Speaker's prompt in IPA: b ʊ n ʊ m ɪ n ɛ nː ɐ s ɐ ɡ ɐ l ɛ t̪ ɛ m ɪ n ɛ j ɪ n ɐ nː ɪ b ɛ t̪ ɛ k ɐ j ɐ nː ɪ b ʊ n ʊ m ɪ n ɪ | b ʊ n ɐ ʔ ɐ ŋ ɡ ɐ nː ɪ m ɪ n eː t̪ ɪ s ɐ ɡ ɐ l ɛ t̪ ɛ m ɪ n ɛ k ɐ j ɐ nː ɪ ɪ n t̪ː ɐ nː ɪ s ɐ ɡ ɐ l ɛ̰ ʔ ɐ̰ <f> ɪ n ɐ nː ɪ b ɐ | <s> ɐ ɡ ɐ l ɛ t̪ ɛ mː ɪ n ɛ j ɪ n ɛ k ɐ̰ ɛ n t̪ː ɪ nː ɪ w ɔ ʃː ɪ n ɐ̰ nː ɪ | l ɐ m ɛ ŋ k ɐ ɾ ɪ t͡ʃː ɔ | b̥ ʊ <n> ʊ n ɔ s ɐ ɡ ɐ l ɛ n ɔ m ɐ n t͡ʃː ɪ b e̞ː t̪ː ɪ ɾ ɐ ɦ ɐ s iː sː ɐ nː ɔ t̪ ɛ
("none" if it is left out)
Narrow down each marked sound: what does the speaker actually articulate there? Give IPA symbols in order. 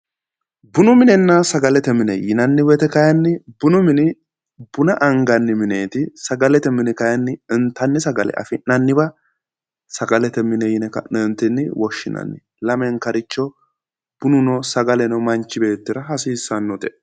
f, s, n

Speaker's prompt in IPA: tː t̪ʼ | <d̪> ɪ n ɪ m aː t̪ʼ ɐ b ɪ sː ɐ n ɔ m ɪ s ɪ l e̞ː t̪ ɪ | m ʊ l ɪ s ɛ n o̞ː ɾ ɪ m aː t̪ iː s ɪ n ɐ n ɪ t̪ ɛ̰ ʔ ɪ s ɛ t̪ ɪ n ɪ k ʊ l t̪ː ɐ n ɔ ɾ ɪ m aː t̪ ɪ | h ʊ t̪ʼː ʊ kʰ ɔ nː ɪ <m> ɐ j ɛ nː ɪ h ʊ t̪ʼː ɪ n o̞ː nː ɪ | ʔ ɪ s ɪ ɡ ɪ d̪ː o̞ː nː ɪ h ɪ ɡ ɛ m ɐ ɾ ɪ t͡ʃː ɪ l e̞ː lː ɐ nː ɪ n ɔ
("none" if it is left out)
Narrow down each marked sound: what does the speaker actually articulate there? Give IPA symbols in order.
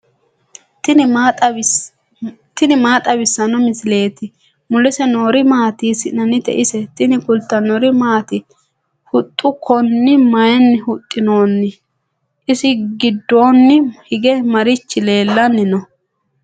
t̪, m

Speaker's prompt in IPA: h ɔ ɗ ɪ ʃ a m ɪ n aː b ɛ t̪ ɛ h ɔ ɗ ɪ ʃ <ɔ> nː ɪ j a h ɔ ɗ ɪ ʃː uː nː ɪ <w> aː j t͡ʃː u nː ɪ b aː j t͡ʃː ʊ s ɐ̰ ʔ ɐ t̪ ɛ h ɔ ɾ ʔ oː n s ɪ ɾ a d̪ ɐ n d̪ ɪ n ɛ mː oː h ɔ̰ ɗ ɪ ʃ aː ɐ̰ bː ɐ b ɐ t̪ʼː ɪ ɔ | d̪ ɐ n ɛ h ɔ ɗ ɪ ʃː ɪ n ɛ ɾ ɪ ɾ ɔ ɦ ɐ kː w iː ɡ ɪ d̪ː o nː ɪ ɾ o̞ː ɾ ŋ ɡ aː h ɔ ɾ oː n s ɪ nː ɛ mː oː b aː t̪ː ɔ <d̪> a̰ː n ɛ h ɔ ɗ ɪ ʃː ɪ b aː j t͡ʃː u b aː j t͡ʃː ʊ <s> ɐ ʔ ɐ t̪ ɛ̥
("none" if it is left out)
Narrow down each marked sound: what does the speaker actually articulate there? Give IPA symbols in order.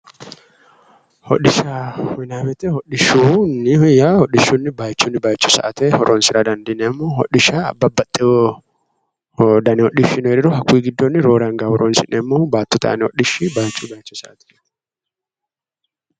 u, b, t̪, s

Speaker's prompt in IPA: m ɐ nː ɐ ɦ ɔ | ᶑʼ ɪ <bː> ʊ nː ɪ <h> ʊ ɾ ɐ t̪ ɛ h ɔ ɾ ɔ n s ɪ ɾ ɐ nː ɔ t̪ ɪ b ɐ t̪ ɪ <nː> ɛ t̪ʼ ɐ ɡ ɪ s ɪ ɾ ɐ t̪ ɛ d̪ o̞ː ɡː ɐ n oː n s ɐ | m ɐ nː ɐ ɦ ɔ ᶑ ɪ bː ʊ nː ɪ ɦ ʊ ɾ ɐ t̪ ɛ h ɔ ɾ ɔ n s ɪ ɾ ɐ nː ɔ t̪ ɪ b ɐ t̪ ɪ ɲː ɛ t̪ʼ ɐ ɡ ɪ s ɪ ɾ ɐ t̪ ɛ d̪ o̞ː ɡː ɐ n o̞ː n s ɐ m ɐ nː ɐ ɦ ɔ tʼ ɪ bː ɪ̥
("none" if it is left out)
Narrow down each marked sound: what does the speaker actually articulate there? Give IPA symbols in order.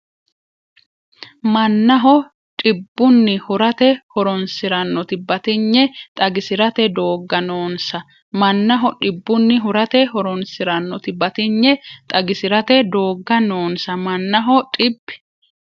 bː, h, ɲː

